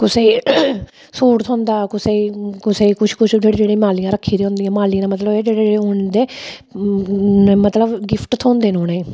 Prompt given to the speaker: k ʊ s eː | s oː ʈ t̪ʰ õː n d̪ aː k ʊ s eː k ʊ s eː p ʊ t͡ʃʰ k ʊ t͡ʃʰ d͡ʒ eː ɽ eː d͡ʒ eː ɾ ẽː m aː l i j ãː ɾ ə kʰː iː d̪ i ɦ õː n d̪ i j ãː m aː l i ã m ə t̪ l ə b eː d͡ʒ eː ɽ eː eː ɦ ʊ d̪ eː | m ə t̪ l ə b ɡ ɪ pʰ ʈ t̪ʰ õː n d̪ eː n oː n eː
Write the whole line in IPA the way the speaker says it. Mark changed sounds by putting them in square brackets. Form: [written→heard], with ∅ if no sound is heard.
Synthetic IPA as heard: k ʊ s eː | s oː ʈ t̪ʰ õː n d̪ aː k ʊ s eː k ʊ s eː [p→k] ʊ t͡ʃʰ k ʊ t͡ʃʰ d͡ʒ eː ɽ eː d͡ʒ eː [ɾ→ɽ] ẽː m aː l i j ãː ɾ ə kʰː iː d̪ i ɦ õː n d̪ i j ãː m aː l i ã m ə t̪ l ə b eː d͡ʒ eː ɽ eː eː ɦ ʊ d̪ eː | m ə t̪ l ə b ɡ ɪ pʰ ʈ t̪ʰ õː n d̪ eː n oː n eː